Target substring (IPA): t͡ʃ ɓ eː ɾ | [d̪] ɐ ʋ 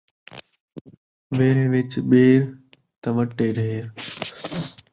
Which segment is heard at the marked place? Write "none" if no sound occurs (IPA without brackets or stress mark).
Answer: t̪